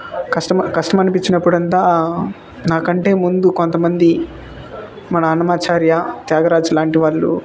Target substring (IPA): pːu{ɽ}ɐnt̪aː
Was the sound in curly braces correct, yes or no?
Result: yes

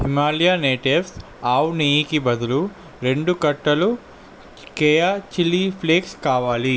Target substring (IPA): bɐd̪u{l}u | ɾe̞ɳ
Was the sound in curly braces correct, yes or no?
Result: yes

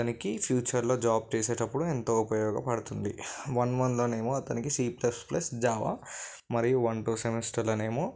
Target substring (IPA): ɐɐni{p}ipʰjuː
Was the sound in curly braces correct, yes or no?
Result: no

